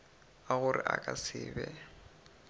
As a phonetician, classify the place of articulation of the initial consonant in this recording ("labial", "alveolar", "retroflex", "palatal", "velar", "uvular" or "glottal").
velar